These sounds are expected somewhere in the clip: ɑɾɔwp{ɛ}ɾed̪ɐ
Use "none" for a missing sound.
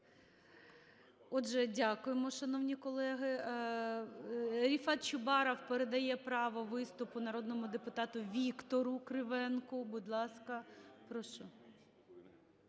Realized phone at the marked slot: e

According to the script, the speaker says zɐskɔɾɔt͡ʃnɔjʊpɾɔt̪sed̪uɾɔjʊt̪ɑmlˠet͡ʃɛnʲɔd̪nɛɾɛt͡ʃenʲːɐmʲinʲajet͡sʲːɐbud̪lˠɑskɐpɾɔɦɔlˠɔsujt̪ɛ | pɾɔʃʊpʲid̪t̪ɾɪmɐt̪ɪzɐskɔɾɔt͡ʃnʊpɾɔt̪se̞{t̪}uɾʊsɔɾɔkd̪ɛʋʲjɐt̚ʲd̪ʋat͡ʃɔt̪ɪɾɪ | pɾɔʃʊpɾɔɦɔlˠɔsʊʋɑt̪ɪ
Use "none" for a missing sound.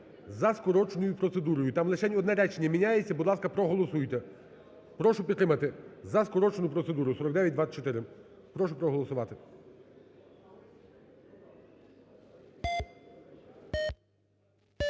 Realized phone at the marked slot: d̪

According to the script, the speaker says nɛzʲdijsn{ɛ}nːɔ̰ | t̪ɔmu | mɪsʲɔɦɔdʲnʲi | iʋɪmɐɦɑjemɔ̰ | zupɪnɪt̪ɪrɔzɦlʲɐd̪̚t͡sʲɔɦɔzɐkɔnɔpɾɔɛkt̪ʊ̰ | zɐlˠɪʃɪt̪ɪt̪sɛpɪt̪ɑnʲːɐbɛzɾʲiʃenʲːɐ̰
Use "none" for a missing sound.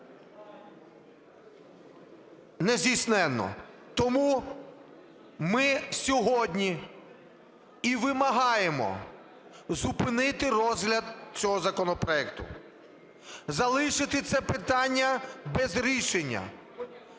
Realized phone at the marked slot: ɛ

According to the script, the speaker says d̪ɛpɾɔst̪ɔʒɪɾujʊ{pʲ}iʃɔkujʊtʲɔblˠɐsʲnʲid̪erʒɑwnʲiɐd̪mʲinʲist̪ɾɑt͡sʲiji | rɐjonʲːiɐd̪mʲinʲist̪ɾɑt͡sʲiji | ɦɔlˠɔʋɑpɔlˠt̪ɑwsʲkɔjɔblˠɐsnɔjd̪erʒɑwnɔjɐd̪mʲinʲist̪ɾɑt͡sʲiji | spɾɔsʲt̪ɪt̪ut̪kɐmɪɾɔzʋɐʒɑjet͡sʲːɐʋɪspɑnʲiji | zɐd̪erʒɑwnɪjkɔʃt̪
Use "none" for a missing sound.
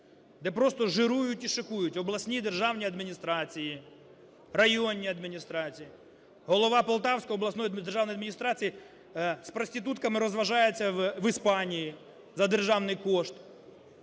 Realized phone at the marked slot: tʲ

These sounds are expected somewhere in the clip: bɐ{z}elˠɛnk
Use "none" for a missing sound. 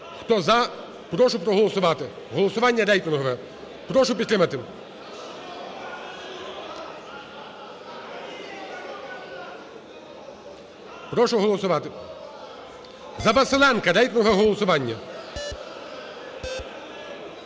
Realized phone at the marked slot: s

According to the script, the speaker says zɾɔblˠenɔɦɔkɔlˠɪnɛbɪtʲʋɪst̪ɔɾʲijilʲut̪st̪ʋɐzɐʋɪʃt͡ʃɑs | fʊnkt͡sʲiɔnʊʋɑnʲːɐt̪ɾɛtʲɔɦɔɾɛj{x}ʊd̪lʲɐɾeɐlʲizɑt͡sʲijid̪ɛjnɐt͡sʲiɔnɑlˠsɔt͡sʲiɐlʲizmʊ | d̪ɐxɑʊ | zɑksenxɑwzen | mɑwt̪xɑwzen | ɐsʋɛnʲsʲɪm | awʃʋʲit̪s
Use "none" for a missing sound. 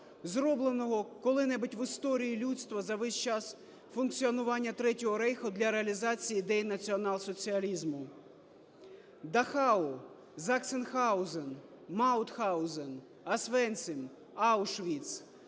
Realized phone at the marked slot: x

